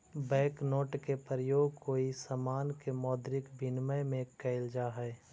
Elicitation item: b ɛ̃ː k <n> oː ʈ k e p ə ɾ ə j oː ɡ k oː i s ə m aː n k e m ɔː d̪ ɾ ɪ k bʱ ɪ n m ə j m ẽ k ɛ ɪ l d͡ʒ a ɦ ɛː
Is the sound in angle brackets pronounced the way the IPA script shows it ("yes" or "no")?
yes